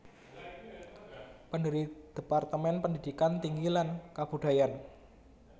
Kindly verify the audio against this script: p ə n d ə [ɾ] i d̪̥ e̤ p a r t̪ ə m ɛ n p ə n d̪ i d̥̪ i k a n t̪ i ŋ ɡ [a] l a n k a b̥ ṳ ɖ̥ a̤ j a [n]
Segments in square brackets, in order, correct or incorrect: correct, incorrect, correct

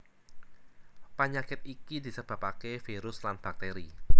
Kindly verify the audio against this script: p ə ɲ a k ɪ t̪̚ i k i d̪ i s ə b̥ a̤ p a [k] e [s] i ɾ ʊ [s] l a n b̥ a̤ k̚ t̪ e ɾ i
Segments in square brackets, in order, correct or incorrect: correct, incorrect, correct

